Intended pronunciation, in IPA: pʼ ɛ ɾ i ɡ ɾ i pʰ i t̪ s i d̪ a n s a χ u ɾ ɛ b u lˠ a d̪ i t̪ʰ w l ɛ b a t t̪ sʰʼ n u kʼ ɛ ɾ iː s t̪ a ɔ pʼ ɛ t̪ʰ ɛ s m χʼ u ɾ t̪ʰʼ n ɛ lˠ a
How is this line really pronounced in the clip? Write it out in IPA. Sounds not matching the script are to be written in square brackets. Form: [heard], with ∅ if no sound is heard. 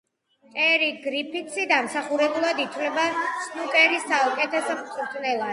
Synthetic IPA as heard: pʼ ɛ ɾ i ɡ ɾ i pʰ i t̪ s i d̪ a [m] s a χ u ɾ ɛ b u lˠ a d̪ i t̪ʰ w l ɛ b a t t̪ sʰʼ n u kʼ ɛ ɾ [i] s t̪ a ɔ [kʼ] ɛ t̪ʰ ɛ s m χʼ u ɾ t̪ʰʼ n ɛ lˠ a